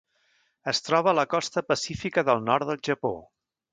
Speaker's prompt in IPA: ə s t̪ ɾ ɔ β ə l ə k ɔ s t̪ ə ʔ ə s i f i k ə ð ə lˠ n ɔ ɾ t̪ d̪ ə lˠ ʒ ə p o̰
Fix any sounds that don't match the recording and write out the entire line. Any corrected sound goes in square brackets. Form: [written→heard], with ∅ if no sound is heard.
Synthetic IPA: ə s t̪ ɾ ɔ β ə l ə k ɔ s t̪ ə [ʔ→p] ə s i f i k ə ð ə lˠ n ɔ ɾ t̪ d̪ ə lˠ ʒ ə p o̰